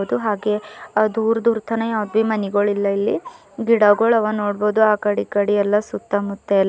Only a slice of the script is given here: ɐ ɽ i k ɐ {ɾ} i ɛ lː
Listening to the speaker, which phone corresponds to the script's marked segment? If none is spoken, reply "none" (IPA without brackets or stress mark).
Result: ɽ